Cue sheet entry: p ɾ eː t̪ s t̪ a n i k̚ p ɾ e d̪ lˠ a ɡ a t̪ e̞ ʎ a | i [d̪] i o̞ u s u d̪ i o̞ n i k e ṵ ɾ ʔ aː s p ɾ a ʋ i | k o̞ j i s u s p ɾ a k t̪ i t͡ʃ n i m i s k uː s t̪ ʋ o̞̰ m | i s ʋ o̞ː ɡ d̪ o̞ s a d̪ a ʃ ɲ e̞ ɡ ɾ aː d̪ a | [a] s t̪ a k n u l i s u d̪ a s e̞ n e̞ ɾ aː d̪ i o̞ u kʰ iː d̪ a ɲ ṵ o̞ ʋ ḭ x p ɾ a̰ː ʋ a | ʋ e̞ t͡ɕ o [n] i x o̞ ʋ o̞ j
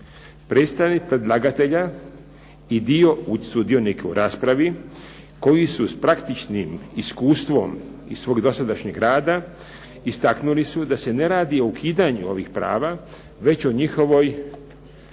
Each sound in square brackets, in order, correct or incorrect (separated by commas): correct, incorrect, incorrect